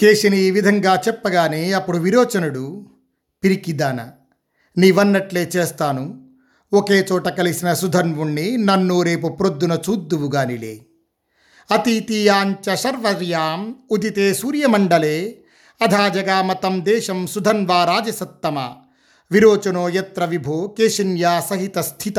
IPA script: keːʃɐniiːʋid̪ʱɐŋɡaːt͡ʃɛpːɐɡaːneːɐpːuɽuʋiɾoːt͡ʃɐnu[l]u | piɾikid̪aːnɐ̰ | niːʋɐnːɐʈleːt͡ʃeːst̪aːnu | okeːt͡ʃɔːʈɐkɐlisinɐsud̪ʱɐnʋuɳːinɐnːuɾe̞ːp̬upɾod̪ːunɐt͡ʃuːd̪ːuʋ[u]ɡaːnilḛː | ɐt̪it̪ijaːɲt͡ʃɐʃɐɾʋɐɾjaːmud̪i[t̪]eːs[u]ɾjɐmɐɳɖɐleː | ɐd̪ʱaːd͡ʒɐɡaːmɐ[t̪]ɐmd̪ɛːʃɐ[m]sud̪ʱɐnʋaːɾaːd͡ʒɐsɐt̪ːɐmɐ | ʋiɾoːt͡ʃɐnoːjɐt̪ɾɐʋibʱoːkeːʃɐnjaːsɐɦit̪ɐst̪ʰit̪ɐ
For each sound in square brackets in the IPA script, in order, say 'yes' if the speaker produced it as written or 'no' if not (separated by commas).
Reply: no, yes, yes, no, yes, yes